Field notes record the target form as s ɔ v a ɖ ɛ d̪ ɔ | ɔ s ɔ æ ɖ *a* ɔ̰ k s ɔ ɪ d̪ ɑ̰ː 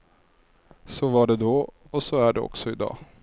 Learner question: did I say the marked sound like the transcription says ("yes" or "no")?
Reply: no